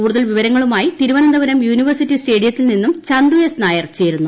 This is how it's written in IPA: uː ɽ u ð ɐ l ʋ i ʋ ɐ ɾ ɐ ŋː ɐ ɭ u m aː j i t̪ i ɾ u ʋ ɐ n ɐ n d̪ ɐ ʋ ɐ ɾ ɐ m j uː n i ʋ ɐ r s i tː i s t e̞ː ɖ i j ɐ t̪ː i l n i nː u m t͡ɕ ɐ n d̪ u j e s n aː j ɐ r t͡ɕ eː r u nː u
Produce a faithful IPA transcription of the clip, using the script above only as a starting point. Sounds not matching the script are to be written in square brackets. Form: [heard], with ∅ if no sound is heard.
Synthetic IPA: uː ɽ u ð ɐ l ʋ i ʋ ɐ ɾ ɐ ŋː ɐ ɭ u m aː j i t̪ i ɾ u ʋ ɐ n ɐ n d̪ ɐ ʋ ɐ ɾ ɐ m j uː n i ʋ ɐ r s i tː i s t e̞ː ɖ i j ɐ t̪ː i l n i nː u m t͡ɕ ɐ n d̪ u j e s n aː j ɐ r t͡ɕ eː [ɾ] u nː u